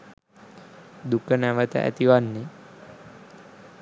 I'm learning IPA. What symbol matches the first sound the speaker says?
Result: d̪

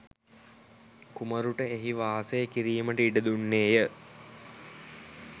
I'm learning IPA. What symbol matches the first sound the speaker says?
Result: k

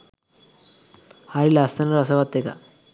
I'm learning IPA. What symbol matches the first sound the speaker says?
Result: h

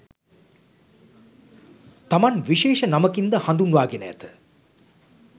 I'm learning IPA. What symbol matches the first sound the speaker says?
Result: t̪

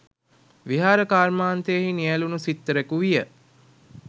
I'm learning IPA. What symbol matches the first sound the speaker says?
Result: ʋ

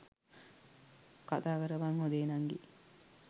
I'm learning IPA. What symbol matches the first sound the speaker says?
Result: k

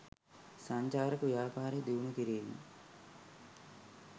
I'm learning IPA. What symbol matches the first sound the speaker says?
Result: s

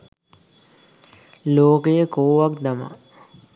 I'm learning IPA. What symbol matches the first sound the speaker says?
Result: l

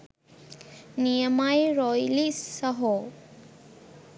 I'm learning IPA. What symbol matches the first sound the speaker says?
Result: n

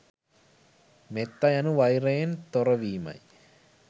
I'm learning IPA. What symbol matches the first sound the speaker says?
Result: m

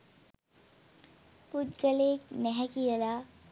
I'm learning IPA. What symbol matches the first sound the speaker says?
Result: p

